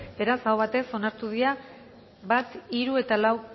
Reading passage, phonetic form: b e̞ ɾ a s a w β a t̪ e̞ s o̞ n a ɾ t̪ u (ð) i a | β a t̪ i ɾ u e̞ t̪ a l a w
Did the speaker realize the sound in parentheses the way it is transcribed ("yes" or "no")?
yes